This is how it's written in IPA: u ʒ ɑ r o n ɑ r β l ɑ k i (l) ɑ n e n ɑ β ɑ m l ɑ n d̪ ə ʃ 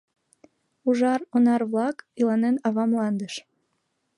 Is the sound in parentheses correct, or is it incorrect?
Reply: correct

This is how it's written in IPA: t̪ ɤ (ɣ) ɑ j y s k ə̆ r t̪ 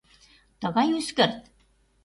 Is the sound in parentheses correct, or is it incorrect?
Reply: correct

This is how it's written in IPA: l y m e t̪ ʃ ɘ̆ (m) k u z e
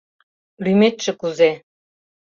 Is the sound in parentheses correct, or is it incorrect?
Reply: incorrect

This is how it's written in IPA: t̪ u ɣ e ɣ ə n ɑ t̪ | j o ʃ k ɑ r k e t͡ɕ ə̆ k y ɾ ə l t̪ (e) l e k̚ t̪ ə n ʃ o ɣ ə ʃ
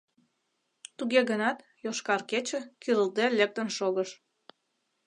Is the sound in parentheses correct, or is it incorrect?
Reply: correct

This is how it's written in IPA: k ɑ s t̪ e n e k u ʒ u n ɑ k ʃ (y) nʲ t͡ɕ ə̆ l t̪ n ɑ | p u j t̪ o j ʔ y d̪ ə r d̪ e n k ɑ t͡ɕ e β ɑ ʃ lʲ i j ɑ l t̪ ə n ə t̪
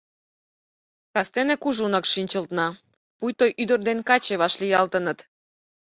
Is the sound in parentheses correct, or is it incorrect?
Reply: incorrect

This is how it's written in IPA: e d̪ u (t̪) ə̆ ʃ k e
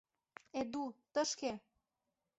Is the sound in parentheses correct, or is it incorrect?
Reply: correct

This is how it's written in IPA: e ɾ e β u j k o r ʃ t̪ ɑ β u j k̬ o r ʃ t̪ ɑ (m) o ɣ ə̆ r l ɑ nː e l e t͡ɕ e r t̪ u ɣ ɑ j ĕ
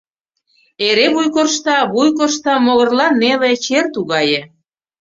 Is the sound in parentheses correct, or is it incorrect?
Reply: correct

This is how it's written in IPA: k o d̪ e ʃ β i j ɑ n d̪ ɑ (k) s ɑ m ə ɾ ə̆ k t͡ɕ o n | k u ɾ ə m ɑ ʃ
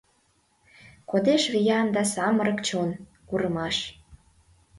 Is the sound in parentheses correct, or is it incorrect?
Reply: incorrect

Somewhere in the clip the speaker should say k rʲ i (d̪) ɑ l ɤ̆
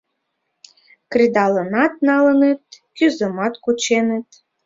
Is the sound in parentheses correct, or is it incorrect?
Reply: correct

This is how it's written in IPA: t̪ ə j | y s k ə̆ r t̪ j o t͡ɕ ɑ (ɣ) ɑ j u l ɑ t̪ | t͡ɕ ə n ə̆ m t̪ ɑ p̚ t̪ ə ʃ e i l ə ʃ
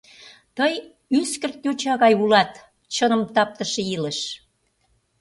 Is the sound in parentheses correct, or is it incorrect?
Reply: correct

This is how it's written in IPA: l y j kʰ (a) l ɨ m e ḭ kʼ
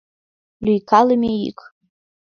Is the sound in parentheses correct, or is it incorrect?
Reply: correct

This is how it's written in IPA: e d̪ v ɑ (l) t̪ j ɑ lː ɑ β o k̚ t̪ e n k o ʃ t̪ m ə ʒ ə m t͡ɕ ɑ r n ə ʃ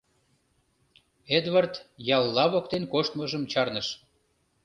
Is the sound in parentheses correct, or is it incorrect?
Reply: incorrect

